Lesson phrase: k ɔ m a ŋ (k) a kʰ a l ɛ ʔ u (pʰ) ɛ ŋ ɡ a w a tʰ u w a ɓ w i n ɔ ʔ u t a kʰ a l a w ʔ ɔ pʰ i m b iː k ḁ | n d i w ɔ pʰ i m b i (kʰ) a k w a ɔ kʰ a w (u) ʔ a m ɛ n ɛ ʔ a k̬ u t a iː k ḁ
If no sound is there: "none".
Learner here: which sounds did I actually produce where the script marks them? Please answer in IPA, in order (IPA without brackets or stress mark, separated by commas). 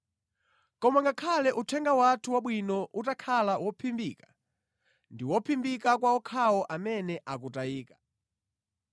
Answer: ɡ, tʰ, k, ɔ